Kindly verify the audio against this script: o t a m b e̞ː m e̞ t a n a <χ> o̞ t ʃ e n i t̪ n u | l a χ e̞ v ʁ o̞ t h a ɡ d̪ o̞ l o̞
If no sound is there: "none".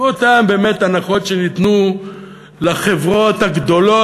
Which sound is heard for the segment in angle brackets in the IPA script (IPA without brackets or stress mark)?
χ